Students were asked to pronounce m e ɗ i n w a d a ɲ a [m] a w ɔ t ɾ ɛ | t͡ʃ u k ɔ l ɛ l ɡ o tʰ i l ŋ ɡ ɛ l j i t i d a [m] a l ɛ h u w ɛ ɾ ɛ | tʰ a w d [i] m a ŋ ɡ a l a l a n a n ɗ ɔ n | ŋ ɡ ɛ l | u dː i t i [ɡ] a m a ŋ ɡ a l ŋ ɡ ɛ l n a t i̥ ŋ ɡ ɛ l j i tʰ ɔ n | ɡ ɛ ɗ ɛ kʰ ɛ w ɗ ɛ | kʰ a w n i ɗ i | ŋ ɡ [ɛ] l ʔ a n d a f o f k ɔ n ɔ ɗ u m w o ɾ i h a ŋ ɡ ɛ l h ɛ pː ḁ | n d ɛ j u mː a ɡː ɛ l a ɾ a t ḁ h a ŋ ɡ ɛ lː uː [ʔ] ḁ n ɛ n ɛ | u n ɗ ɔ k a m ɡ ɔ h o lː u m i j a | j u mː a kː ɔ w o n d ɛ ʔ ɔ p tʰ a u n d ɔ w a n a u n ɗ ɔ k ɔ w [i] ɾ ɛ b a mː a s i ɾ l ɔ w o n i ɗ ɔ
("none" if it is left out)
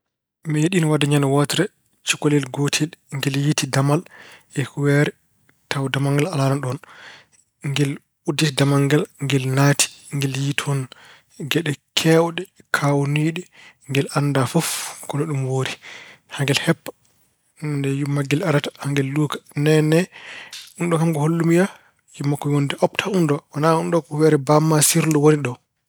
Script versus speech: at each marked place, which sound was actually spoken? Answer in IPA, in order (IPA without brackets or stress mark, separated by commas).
n, m, a, d, ɛ, k, ɛ